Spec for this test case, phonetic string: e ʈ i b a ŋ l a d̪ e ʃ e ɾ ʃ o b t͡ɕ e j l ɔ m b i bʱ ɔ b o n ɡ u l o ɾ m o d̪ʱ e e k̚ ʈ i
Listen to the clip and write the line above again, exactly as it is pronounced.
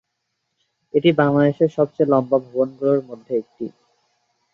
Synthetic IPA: e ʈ i b a ŋ l a d̪ e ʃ e ɾ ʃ ɔ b t͡ɕ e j l ɔ m b a bʱ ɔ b o n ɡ u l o ɾ m o d̪ʱː e e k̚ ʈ i